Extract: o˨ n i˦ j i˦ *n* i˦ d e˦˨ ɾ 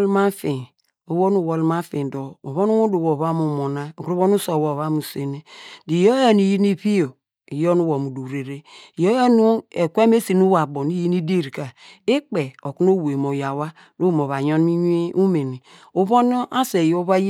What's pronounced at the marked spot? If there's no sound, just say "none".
n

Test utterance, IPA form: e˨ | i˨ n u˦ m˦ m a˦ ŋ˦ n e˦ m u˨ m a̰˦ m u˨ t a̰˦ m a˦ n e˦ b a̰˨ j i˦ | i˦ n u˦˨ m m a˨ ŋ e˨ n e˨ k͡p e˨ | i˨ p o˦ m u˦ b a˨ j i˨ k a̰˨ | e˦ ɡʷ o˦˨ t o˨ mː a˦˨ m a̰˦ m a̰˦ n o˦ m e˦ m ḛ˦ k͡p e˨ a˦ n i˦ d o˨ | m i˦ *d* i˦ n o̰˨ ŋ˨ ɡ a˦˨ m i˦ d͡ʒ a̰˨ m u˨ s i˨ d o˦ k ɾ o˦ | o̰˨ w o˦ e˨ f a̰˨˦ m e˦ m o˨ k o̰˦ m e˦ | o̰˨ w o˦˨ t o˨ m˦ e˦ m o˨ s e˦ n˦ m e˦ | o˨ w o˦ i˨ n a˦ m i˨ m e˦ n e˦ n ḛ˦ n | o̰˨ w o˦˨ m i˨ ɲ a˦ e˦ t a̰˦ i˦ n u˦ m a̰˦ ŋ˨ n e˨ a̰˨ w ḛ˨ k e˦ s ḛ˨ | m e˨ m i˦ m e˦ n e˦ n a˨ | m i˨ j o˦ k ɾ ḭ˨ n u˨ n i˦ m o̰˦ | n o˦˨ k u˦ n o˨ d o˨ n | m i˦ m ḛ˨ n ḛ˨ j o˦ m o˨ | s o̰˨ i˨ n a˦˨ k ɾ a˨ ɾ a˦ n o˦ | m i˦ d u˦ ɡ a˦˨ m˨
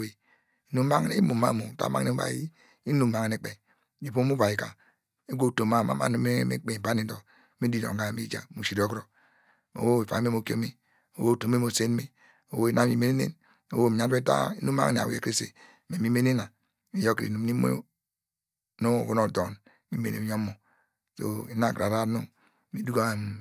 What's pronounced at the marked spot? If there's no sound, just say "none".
d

